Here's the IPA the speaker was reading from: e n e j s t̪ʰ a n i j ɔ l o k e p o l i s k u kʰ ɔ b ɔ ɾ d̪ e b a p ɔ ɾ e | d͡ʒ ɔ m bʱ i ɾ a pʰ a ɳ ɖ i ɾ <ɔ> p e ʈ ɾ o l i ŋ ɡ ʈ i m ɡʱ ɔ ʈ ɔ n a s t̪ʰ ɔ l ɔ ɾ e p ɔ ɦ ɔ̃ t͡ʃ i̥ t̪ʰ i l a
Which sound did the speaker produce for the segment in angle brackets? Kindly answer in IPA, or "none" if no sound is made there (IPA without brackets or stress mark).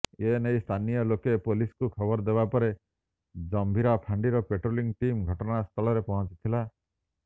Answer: ɔ